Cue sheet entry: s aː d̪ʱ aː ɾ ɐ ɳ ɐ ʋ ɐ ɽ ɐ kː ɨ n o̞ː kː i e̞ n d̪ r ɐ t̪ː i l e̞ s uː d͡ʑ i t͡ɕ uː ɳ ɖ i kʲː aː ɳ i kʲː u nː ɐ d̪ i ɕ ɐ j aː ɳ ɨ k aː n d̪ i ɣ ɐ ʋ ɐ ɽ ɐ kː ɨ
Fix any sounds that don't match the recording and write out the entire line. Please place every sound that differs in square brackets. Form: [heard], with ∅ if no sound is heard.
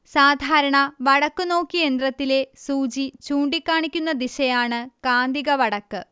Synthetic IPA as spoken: s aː d̪ʱ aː ɾ ɐ ɳ ɐ ʋ ɐ ɽ ɐ kː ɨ n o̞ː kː i e̞ n d̪ r ɐ t̪ː i l e̞ s uː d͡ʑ i t͡ɕ uː ɳ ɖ i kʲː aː ɳ i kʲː u nː ɐ d̪ i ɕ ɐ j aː ɳ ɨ k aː n d̪ i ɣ ɐ ʋ ɐ ɽ ɐ kː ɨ